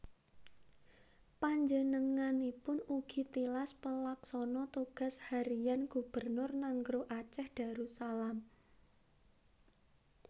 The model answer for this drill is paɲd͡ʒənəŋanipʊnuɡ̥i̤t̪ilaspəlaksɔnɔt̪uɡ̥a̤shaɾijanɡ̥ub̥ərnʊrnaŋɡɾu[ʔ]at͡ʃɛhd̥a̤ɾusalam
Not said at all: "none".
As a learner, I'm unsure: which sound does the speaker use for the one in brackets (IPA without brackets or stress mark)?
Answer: ʔ